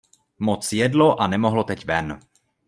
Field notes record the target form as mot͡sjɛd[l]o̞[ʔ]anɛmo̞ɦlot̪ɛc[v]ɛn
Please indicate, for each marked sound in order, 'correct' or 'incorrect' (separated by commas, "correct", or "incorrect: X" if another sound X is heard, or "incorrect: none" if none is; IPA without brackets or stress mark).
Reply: correct, correct, correct